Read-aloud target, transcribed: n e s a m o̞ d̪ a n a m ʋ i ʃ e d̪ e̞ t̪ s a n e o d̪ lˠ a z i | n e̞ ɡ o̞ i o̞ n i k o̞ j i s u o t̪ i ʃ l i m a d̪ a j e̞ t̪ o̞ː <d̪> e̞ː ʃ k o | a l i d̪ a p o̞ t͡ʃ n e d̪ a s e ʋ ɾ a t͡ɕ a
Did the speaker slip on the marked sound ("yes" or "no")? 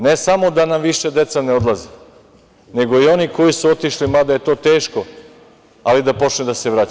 yes